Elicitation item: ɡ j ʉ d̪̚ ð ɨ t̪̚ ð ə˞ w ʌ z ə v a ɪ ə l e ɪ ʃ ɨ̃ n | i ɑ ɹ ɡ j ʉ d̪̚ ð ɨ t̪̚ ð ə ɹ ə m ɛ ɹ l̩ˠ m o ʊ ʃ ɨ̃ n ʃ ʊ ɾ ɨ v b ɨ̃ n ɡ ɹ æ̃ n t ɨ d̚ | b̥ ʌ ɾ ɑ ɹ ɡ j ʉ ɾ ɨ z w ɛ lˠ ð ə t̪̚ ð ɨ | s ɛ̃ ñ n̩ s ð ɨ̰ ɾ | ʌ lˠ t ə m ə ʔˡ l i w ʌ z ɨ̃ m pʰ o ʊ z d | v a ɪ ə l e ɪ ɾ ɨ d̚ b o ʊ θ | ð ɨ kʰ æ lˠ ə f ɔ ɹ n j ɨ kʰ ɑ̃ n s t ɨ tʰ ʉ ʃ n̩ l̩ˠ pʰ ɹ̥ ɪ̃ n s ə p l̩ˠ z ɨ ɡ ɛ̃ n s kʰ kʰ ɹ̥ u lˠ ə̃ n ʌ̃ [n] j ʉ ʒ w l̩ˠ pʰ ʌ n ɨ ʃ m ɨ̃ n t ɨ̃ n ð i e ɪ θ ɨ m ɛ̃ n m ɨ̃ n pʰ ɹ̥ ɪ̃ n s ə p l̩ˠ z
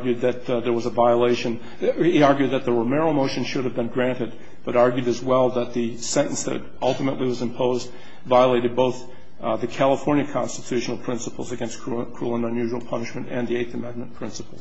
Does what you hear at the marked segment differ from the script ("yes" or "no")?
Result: no